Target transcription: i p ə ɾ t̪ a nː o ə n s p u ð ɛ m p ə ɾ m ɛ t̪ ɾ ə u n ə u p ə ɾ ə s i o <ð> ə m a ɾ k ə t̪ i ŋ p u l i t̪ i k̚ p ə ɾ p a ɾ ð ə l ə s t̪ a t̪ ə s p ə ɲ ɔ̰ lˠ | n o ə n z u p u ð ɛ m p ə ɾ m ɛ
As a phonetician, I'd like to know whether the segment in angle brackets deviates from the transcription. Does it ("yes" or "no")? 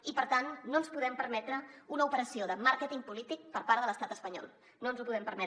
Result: no